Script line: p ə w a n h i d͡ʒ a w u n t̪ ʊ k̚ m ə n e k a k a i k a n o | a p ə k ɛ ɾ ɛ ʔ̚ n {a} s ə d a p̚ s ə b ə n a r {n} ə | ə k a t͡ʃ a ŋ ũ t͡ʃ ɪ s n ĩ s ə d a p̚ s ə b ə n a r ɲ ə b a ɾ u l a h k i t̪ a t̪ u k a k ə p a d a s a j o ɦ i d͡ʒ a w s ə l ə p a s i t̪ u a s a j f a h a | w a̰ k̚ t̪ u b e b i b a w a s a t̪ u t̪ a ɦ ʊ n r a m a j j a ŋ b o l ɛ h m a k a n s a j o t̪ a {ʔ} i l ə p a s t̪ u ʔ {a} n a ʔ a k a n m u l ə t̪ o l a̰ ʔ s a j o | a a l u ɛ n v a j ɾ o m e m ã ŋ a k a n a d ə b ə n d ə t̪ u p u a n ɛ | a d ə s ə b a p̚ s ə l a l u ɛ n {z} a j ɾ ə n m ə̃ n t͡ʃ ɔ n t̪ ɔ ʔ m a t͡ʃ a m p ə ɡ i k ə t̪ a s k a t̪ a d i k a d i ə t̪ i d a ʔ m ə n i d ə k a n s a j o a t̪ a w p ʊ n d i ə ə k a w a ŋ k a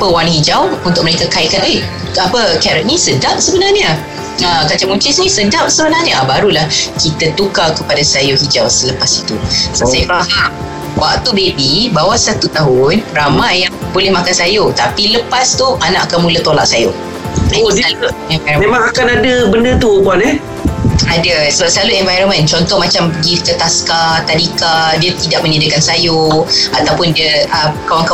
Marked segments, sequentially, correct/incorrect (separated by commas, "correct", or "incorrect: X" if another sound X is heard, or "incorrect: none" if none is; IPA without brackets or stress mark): incorrect: i, incorrect: ɲ, incorrect: p, correct, incorrect: v